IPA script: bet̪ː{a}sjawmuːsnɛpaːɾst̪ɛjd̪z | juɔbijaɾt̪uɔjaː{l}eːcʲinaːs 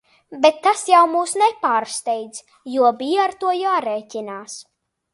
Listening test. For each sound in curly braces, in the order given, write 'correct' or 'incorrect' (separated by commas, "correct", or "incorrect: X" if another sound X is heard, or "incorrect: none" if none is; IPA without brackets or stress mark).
correct, incorrect: ɾ